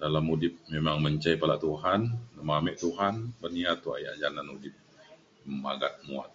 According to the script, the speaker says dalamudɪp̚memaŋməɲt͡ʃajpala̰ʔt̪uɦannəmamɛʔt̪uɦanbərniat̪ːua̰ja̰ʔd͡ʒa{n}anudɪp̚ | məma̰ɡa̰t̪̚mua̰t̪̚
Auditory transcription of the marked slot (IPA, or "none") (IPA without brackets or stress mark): n